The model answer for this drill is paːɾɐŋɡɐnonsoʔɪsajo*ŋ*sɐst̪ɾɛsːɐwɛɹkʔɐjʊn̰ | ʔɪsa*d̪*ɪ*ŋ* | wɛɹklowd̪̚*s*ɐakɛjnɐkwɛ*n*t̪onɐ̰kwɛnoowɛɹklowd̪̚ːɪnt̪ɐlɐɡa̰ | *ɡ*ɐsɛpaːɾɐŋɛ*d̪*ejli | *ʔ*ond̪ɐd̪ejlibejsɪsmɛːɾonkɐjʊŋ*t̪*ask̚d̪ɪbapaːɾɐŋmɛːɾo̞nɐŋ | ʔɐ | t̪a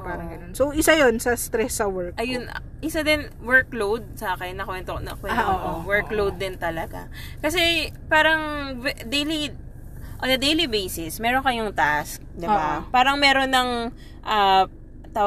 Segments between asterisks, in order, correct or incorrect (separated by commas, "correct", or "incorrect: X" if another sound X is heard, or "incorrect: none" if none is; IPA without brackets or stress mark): incorrect: n, correct, incorrect: n, correct, correct, incorrect: k, correct, correct, correct